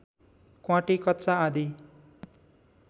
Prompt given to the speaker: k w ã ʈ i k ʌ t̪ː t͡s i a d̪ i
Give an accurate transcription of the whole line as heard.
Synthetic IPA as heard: k w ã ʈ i k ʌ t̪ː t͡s a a d̪ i